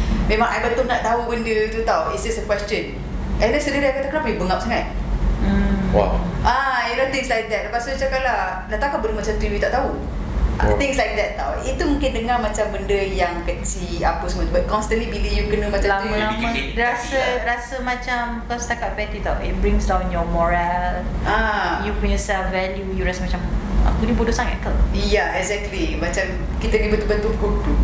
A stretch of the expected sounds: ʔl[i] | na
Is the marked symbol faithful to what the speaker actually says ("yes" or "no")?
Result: no